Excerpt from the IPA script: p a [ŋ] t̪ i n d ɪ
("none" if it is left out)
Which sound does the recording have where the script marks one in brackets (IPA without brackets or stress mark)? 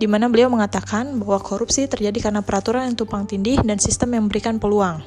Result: ŋ